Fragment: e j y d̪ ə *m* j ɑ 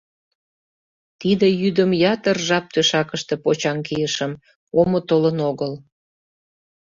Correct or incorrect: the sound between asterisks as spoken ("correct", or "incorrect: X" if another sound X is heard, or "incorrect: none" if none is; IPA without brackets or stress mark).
correct